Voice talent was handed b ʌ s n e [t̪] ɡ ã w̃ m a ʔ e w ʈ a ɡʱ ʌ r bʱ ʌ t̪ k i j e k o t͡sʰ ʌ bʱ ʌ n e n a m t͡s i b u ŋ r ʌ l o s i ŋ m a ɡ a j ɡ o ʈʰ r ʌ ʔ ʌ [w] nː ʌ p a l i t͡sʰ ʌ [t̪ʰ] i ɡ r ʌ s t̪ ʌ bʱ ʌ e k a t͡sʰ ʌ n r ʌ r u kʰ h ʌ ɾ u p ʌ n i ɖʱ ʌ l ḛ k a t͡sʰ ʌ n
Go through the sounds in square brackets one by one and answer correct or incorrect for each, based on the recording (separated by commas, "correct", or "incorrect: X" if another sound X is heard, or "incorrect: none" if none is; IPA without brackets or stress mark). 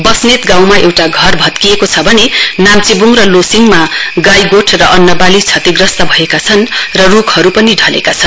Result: correct, incorrect: none, incorrect: t̪